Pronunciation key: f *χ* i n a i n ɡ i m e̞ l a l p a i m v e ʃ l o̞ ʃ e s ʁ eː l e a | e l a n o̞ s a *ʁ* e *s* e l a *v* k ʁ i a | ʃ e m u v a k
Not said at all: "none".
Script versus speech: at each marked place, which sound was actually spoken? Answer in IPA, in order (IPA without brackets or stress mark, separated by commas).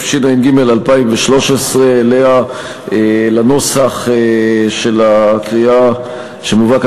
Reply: ʃ, χ, ʃ, none